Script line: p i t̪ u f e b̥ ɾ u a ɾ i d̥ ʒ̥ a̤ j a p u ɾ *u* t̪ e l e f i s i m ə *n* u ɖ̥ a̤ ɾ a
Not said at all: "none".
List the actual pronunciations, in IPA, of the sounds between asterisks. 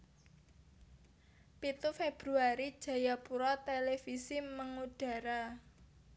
ɔ, ŋ

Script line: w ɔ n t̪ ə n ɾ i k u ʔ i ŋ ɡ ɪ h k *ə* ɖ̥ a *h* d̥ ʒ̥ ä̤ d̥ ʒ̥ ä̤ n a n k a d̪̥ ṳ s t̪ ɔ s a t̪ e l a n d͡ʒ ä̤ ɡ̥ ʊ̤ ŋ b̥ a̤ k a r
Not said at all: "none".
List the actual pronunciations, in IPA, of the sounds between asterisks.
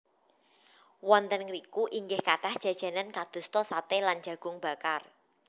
a, h

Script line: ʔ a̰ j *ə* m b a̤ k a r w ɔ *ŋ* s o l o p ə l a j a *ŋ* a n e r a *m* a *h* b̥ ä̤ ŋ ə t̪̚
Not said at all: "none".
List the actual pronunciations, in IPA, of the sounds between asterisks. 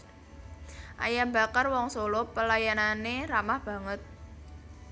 a, ŋ, n, m, h

